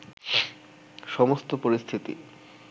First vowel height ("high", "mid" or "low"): mid